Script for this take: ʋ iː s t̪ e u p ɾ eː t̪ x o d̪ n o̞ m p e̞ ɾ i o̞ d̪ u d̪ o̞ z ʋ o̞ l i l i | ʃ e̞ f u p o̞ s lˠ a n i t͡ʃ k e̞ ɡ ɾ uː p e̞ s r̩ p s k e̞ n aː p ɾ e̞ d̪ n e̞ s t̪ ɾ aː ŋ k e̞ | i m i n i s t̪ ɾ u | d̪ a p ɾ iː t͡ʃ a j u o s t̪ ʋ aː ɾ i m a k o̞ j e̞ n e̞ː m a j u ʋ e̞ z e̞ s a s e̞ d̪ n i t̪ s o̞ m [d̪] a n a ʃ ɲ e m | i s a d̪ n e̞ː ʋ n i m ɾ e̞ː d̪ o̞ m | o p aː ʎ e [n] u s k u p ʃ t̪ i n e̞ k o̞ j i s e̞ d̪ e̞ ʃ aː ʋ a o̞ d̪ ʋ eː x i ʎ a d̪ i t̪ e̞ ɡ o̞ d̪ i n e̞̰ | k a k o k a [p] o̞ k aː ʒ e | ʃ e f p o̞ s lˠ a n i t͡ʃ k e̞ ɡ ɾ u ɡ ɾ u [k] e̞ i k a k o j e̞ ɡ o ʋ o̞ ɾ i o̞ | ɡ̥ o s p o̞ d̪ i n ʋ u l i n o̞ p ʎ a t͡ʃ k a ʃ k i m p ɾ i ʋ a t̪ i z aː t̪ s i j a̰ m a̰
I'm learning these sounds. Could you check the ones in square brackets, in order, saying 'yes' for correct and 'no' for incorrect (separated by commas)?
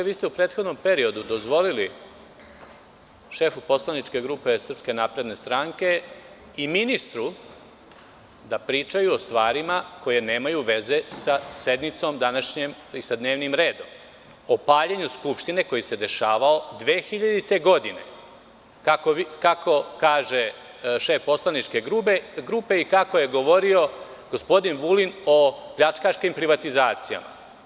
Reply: yes, no, no, no